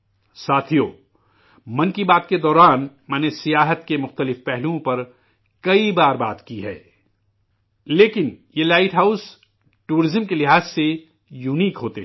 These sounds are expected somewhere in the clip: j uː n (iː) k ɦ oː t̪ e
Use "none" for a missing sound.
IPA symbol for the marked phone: iː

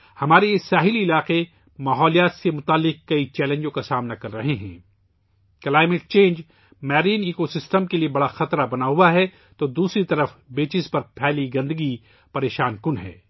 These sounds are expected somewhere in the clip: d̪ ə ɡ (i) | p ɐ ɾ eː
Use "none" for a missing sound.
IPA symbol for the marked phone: i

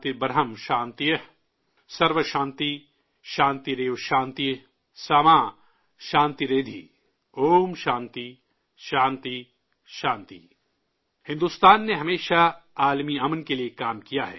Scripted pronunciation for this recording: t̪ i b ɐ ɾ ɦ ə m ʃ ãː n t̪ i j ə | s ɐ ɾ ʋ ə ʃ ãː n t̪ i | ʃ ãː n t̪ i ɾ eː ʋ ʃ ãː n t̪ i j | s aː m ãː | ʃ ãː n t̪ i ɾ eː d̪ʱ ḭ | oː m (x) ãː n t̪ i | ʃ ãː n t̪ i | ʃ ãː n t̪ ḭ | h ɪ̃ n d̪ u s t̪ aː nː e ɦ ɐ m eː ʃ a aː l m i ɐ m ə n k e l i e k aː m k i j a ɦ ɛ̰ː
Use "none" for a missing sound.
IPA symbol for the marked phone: ʃ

